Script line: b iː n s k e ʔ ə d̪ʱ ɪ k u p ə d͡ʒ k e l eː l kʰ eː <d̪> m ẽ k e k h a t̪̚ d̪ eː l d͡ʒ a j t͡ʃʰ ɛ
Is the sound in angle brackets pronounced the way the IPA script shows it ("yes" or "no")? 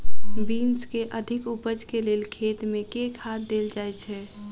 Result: no